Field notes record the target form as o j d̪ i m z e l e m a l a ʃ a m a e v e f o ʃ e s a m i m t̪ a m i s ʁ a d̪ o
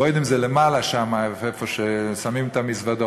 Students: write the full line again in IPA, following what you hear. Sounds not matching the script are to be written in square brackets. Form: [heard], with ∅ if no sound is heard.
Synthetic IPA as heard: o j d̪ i m z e l e m a l a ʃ a m a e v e f o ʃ e s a m i m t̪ a m i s [v] a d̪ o

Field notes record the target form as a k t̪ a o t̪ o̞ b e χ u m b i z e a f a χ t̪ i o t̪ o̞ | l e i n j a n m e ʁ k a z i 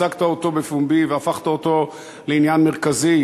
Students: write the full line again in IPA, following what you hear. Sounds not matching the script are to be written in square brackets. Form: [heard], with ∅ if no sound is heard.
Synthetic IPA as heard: a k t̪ a o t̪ o̞ b e [f] u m b i [v] e a f a χ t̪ [a] o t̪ o̞ | l e i n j a n m e ʁ k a z i

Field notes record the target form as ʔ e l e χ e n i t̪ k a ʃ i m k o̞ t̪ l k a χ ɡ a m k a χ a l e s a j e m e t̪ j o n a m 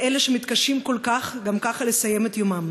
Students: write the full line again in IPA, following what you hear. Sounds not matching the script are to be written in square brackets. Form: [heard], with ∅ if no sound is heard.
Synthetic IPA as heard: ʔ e l e [ʃ] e [m] i t̪ k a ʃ i m k o̞ [∅] l k a χ ɡ a m k a χ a l e s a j e m e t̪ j o [m] a m

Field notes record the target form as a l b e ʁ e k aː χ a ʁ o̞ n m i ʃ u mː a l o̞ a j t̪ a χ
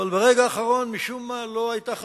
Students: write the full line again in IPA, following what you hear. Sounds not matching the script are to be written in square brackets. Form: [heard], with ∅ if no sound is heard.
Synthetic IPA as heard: a l b e ʁ e [ɡ] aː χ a ʁ o̞ n m i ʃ u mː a l o̞ a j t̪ a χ

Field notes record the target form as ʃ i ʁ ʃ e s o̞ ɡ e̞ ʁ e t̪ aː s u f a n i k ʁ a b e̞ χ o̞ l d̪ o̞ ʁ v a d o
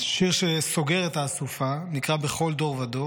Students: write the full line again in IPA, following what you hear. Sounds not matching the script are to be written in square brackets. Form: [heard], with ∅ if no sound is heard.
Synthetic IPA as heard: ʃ i ʁ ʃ e s o̞ ɡ e̞ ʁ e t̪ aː s u f a n i k ʁ a b e̞ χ o̞ l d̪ o̞ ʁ v a d o

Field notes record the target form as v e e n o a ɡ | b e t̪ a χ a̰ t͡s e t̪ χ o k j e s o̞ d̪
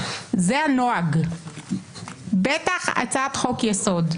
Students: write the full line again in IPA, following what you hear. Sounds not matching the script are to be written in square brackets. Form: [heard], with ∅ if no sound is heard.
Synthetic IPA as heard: [z] e [a] n o a ɡ | b e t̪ a χ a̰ t͡s [a] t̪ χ o k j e s o̞ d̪

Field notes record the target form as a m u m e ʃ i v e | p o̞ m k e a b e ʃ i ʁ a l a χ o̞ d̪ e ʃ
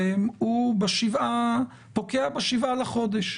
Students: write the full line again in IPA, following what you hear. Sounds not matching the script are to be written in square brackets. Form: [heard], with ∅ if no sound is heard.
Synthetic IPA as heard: [e] m u [b] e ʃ i v [a] | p o̞ [∅] k e a b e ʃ i [v] a l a χ o̞ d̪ e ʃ

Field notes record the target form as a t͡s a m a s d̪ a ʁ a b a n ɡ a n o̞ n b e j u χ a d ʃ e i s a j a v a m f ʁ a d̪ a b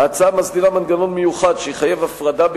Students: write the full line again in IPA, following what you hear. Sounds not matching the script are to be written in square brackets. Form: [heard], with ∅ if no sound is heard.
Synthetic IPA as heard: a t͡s a m a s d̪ [i] ʁ a [m] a n ɡ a n o̞ n [m] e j u χ a d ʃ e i [χ] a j [e] v a [∅] f ʁ a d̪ a b

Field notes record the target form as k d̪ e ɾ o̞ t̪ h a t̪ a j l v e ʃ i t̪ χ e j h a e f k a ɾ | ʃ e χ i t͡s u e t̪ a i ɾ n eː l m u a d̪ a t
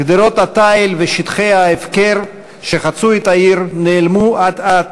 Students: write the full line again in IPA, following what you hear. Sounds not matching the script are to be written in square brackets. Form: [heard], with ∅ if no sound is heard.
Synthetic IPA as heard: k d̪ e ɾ o̞ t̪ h a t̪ a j l v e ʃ i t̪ χ e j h a e f k [e] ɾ | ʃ e χ [a] t͡s u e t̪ a i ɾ n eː l m u a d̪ a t

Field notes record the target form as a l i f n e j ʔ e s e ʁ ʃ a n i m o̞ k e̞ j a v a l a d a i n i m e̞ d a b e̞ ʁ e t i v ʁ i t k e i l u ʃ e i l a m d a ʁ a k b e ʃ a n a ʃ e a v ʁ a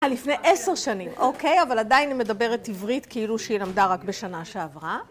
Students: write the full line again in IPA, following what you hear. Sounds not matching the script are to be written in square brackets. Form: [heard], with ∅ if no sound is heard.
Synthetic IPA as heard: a l i f n e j ʔ e s e ʁ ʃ a n i m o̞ k e̞ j a v a l a d a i n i m e̞ d a b e̞ ʁ e t i v ʁ i t k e i l u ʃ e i l a m d a ʁ a k b e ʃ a n a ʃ e a v ʁ a

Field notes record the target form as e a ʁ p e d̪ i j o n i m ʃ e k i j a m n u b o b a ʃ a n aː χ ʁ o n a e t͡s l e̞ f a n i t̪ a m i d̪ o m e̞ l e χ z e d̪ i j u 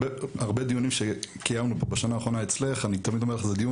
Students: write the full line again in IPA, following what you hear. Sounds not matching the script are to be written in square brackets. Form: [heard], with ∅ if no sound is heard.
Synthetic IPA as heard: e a ʁ [b] e d̪ i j [u] n i m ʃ e k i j a m n u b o b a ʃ a n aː χ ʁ o n a e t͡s l e̞ [χ] a n i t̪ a m i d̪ o m e̞ l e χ z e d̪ i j u

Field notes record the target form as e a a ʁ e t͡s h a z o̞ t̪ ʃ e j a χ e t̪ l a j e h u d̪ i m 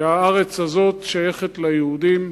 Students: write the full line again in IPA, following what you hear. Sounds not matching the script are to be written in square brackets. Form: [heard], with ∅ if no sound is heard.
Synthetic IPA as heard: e a a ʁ e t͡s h a z o̞ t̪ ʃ [a] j [e] χ e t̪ l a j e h u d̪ i m

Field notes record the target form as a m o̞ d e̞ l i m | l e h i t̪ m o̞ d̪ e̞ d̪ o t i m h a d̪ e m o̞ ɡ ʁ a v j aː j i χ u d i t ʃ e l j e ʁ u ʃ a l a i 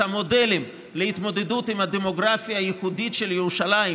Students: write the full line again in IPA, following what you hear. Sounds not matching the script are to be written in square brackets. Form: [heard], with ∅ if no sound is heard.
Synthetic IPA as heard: a m o̞ d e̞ l i m | l e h i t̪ m o̞ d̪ e̞ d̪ [u] t i m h a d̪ e m o̞ ɡ ʁ a [f] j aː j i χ u d i t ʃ e l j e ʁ u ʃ a l a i

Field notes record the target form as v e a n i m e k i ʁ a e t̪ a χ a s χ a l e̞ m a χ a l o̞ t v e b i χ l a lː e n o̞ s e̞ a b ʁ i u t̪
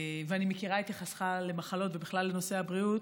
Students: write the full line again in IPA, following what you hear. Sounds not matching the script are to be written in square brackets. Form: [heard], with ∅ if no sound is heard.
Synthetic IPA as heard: v e a n i m e k i ʁ a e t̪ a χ a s χ a l e̞ m a χ a l o̞ t v e b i χ l a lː e n o̞ s e̞ a b ʁ i u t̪

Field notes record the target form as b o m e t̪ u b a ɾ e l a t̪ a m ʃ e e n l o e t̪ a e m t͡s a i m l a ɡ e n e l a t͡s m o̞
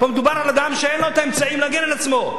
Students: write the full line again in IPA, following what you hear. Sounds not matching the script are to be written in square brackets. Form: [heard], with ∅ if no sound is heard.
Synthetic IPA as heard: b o m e [d̪] u b a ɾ [a] l a [d̪] a m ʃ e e n l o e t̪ a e m t͡s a i m l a ɡ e n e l a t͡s m o̞

